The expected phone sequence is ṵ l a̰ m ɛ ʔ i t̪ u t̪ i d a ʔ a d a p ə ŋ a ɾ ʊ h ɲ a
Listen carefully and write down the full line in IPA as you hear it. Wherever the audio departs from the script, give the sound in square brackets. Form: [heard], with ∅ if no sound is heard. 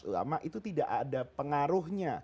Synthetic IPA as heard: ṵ l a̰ m [a] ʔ i t̪ u t̪ i d a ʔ a d a p ə ŋ a ɾ ʊ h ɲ a